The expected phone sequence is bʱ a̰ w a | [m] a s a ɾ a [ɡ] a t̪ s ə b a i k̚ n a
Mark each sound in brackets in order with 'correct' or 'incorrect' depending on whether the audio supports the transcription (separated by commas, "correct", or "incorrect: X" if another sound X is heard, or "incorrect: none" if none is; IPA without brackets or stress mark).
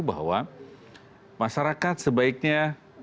correct, incorrect: k